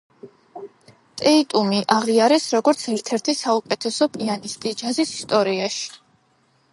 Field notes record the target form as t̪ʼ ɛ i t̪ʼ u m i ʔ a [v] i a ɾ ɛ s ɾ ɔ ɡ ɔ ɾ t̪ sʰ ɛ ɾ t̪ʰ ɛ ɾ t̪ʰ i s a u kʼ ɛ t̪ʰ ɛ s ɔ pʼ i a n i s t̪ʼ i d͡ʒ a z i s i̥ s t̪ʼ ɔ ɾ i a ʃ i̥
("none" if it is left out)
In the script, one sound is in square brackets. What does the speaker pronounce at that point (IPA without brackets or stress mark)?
ʁ